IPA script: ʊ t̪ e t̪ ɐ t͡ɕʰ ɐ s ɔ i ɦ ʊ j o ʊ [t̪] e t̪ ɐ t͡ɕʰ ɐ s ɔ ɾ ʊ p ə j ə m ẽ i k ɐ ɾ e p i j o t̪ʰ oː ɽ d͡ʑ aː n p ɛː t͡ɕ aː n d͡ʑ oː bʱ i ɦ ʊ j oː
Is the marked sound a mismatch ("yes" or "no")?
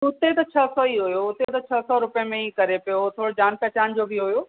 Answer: no